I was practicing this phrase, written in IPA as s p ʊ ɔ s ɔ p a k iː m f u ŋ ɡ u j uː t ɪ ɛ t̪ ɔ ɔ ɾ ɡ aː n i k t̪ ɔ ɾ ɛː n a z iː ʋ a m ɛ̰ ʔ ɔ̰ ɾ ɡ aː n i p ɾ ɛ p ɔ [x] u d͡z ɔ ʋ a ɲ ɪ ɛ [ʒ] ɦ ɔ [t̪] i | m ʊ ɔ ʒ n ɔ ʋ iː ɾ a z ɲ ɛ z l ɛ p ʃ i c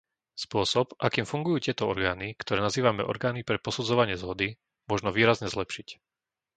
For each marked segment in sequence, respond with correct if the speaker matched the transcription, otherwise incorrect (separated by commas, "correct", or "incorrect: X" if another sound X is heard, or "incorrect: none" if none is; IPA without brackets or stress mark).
incorrect: s, incorrect: z, incorrect: d̪